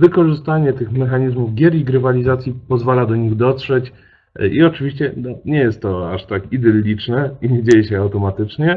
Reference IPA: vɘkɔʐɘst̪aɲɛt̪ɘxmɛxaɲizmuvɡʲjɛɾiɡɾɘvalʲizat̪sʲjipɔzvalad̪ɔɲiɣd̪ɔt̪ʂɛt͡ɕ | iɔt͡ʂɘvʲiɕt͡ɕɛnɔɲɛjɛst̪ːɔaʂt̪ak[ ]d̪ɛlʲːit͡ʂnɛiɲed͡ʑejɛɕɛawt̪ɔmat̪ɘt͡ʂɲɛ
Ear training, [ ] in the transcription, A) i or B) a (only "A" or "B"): A